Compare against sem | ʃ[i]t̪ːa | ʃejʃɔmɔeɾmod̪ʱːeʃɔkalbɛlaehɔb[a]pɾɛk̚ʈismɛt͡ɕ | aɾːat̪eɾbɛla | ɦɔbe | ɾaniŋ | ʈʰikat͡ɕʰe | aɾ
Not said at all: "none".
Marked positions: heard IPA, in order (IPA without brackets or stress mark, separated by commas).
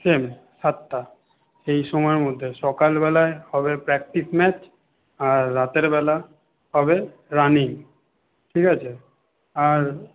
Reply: a, e